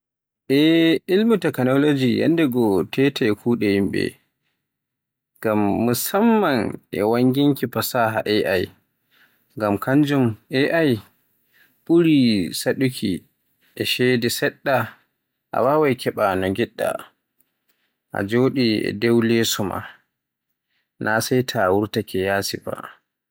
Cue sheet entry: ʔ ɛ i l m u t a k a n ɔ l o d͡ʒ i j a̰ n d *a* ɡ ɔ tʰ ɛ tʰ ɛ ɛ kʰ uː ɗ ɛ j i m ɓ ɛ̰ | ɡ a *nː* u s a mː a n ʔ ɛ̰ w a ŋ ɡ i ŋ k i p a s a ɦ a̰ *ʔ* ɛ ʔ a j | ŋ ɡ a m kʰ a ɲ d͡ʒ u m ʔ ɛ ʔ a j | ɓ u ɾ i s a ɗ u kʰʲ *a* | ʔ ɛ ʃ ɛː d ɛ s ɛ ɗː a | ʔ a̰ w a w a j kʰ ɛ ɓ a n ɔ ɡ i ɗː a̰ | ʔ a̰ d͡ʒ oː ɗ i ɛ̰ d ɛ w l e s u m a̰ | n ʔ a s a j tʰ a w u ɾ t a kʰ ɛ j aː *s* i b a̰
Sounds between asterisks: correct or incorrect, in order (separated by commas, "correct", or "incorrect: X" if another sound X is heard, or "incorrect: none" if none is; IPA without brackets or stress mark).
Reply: incorrect: ɛ, incorrect: mː, correct, incorrect: i, correct